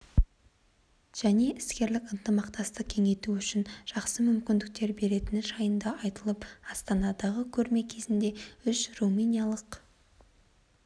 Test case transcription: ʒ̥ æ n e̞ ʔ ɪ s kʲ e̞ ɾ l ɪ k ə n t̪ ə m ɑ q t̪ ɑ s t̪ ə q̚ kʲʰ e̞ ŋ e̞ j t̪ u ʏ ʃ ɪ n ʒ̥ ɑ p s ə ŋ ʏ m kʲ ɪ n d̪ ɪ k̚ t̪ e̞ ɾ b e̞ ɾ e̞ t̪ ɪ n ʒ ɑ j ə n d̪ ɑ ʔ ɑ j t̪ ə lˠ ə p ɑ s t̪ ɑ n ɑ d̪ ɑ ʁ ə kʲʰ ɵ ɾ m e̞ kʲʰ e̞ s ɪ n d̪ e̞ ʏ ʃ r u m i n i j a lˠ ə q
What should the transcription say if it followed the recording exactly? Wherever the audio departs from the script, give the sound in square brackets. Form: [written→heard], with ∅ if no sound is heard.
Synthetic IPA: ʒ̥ æ n e̞ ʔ ɪ s kʲ e̞ ɾ l ɪ k ə n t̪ ə m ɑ q t̪ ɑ s t̪ ə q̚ kʲʰ e̞ ŋ e̞ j t̪ u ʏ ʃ ɪ n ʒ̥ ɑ [p→q] s ə [ŋ→m] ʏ m kʲ ɪ n d̪ ɪ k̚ t̪ e̞ ɾ b e̞ ɾ e̞ t̪ ɪ n ʒ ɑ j ə n d̪ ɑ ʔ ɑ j t̪ ə lˠ ə p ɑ s t̪ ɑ n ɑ d̪ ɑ ʁ ə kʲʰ ɵ ɾ m e̞ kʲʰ e̞ [s→z] ɪ n d̪ e̞ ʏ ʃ r u m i n i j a lˠ ə q